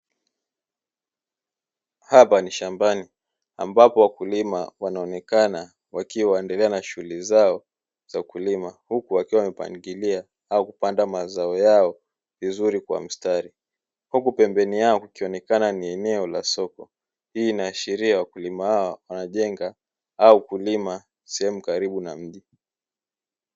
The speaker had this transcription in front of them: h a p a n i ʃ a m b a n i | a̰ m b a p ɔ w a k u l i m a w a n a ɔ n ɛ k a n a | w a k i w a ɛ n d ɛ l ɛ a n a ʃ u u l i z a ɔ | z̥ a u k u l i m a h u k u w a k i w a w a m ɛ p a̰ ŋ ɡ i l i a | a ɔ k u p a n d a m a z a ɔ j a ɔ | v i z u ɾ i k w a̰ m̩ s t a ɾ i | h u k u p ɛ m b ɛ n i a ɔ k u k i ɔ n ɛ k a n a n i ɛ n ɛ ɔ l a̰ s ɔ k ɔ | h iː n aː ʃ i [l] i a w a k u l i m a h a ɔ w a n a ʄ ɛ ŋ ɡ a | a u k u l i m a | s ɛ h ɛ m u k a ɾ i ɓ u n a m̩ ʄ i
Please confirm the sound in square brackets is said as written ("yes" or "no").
no